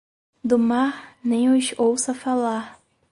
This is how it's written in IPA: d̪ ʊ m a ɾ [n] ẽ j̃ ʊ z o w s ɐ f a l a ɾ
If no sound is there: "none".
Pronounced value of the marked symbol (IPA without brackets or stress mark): n